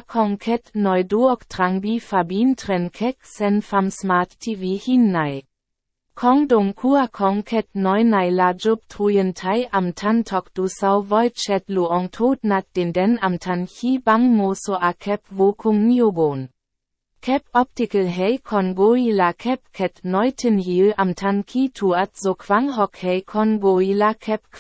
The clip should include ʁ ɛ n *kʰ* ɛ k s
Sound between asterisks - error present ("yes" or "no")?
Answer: no